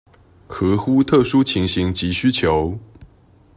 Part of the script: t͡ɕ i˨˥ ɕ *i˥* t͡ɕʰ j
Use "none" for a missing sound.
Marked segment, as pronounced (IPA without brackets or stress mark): y˥